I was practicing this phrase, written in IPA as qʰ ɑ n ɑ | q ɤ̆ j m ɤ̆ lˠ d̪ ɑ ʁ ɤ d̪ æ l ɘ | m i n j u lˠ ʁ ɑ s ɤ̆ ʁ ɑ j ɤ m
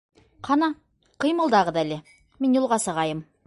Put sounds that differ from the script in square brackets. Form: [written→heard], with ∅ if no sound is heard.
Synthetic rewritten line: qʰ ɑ n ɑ | q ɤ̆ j m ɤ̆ lˠ d̪ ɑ ʁ ɤ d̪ æ l ɘ | m i n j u lˠ ʁ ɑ s ɤ̆ ʁ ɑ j ɤ m